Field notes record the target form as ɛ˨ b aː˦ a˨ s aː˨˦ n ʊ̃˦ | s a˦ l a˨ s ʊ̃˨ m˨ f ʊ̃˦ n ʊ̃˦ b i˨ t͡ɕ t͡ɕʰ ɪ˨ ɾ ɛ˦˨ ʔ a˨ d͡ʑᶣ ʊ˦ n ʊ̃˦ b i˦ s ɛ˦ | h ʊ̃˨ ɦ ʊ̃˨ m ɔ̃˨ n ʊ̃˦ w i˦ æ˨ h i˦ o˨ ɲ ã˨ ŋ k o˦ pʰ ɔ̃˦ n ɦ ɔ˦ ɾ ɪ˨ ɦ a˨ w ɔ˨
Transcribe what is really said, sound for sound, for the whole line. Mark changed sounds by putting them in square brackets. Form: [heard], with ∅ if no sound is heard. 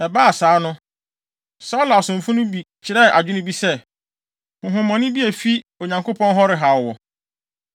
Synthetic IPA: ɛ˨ b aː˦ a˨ s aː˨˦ n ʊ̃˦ | s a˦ l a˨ s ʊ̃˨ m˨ f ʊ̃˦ n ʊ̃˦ b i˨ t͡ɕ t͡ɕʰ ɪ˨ ɾ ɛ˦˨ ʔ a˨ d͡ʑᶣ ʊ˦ n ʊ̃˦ b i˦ s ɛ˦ | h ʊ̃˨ ɦ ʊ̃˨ m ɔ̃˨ n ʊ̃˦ [b] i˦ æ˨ [f] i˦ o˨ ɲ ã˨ ŋ k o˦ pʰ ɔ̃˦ n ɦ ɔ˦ ɾ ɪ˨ ɦ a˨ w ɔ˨